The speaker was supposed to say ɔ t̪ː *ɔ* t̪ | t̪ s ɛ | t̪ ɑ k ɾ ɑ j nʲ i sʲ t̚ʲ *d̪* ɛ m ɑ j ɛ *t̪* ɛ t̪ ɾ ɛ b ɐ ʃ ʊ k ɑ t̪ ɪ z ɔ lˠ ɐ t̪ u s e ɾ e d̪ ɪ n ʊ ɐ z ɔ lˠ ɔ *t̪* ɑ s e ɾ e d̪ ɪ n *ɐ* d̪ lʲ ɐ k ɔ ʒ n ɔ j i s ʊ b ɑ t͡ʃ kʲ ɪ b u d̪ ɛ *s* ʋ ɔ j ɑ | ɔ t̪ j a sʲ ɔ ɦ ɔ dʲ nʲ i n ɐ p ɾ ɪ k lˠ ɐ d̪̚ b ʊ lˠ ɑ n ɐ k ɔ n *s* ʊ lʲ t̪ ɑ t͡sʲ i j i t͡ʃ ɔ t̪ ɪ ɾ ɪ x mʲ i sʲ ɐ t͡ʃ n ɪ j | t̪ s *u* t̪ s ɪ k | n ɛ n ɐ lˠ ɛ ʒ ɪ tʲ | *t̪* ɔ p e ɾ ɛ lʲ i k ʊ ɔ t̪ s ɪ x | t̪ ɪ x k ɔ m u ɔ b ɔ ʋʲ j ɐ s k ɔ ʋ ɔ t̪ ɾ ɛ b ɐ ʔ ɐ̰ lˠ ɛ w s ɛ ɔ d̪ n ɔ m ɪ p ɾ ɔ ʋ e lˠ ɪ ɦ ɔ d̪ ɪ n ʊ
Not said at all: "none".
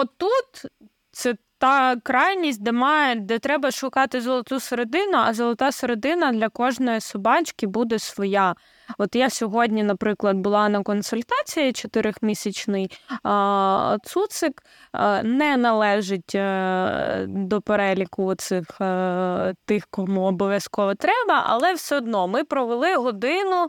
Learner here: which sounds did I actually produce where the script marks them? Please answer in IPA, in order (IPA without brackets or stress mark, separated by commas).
u, d̪, d̪, t̪, ɐ, s, s, u, d̪